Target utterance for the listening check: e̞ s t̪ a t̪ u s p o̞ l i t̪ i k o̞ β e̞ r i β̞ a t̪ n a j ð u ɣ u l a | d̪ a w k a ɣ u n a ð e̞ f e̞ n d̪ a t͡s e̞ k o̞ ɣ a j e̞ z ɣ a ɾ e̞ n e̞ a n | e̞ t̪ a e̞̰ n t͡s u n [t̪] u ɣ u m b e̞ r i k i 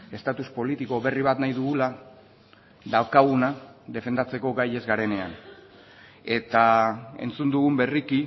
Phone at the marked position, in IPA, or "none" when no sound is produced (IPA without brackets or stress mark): d̪